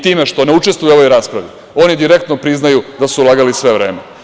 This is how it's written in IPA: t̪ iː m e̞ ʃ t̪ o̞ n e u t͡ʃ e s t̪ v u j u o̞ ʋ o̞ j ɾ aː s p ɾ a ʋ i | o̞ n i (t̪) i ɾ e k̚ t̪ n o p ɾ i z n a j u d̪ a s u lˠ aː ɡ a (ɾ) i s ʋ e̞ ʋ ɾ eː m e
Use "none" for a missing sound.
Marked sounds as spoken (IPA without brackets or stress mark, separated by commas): d̪, l